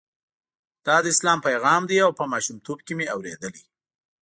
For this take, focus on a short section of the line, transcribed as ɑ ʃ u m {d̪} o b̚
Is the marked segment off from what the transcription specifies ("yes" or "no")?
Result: yes